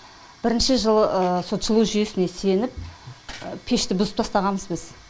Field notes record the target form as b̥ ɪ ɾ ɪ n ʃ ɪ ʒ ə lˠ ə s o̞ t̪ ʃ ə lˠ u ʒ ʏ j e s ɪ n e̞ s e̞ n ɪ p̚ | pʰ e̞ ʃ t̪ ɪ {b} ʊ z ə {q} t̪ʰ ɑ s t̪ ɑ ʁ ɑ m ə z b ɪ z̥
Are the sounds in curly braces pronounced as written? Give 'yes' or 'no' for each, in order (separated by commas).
yes, no